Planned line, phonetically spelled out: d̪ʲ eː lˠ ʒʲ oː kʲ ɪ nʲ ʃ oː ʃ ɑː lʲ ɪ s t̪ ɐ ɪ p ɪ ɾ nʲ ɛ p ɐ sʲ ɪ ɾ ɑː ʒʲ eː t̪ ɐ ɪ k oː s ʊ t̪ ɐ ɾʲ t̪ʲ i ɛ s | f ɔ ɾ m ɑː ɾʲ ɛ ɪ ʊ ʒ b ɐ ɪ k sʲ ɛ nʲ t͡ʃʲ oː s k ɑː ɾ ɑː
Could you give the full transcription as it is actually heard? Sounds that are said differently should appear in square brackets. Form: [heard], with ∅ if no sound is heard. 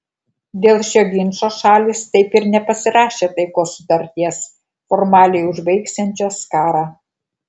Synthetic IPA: d̪ʲ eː lˠ [ʃʲ] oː [ɡʲ] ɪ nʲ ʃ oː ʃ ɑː lʲ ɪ s t̪ ɐ ɪ p ɪ ɾ nʲ ɛ p ɐ sʲ ɪ ɾ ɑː [ʃʲ] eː t̪ ɐ ɪ k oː s ʊ t̪ ɐ ɾʲ t̪ʲ i ɛ s | f ɔ ɾ m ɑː [lʲ] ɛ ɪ ʊ ʒ b ɐ ɪ k sʲ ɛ nʲ t͡ʃʲ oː s k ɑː ɾ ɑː